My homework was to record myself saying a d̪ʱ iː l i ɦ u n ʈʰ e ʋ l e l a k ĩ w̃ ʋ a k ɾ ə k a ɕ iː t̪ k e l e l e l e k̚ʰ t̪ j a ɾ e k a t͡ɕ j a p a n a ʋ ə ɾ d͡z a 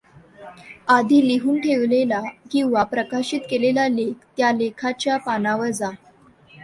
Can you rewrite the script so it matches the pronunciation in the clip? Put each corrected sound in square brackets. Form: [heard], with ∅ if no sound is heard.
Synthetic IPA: a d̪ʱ iː l i ɦ [uː] n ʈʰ e ʋ l e l a k ĩ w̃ ʋ a [p] ɾ ə k a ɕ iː t̪ k e l e l [a] l e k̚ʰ t̪ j a [l] e [kʰ] a t͡ɕ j a p a n a ʋ ə ɾ d͡z a